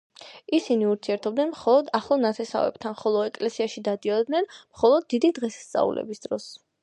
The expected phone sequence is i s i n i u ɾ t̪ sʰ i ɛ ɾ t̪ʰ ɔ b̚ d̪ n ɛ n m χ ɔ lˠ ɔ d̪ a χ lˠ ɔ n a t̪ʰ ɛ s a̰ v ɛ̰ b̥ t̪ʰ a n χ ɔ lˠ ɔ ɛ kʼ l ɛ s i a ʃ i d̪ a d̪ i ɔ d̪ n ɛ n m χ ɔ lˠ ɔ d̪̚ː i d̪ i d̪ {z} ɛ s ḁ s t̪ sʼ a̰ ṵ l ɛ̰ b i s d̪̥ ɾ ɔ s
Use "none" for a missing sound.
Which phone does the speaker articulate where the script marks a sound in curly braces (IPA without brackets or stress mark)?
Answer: ʁ